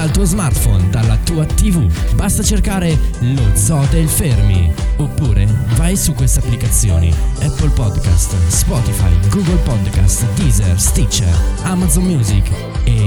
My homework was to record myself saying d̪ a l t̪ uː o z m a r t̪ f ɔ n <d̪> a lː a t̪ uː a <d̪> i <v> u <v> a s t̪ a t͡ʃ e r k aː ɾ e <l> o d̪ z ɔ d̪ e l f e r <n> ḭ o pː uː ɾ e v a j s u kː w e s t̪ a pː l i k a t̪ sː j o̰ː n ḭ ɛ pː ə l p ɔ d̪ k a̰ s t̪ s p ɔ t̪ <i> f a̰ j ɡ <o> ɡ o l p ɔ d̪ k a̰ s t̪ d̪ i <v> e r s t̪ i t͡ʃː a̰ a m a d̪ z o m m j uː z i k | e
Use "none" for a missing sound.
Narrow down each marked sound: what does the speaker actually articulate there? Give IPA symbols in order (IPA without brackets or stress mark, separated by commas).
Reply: d̪, t̪, v, b, l, m, i, u, z